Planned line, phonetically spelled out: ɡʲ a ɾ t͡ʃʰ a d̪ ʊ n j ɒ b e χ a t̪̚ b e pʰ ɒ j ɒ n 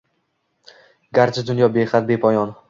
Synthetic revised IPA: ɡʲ a ɾ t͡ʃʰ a d̪ ʊ n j ɒ b e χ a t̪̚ b e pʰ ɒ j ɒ n